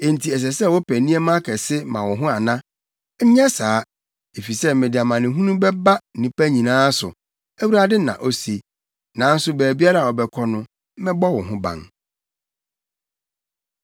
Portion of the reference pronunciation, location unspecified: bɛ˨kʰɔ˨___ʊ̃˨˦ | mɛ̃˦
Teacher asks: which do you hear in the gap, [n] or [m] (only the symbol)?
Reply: n